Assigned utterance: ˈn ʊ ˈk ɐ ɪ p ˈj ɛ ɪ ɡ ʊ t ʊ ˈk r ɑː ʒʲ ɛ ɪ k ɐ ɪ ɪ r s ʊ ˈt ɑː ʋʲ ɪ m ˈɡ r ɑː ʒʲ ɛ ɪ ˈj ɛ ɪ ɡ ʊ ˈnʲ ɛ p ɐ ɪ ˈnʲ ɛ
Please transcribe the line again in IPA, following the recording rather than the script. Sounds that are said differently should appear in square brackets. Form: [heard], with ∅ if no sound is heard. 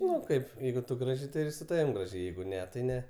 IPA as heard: ˈn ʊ ˈk ɐ ɪ p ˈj ɛ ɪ ɡ ʊ t ʊ [ˈɡ] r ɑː ʒʲ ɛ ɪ [t] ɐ ɪ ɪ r s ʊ ˈt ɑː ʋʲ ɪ m ˈɡ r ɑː ʒʲ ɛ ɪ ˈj ɛ ɪ ɡ ʊ ˈnʲ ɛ [t] ɐ ɪ ˈnʲ ɛ